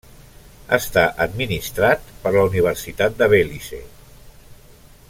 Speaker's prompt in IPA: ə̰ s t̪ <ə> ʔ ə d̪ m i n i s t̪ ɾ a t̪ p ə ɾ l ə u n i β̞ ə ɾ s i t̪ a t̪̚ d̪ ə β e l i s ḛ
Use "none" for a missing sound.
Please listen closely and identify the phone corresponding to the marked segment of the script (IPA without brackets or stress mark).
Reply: a